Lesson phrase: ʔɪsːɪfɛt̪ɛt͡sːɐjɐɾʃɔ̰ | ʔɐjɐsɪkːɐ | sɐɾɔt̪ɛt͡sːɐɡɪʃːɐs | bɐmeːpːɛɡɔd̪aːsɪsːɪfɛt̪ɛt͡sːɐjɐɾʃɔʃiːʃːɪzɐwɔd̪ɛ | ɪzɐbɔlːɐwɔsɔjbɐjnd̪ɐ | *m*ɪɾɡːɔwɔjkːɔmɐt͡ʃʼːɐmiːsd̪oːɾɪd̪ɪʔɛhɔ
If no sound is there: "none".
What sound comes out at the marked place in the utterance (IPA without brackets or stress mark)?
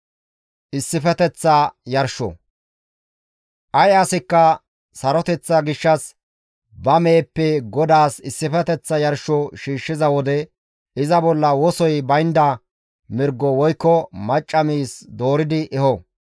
m